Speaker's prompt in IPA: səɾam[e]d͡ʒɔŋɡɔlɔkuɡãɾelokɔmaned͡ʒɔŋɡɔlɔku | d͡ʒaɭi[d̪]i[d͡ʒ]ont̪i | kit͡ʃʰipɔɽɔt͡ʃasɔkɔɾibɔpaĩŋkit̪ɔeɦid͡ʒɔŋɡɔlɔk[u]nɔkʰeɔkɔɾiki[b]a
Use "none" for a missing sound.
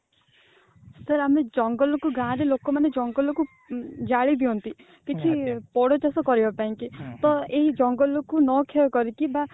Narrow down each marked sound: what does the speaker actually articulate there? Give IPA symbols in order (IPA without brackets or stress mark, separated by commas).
e, d̪, none, u, b